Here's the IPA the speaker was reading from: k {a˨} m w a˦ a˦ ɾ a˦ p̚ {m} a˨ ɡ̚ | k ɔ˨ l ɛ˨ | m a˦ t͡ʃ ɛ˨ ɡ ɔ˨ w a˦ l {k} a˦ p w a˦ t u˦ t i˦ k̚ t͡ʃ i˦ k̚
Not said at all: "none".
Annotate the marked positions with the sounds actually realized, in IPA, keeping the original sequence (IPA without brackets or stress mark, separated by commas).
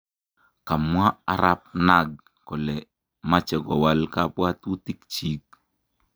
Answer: a˨, n, k